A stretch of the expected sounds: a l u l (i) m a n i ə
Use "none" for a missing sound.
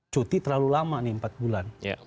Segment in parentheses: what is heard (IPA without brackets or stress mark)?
a